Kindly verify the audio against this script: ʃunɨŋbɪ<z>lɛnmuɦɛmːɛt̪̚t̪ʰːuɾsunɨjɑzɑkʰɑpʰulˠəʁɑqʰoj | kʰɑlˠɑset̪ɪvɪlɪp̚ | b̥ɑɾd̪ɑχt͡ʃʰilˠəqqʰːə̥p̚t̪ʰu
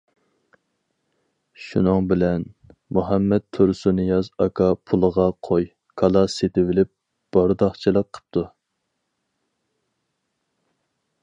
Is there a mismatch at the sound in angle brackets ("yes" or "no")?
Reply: yes